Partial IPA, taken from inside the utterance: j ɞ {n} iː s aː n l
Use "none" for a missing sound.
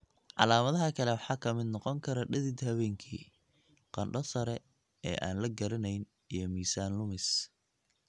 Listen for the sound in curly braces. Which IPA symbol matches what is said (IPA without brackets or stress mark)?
m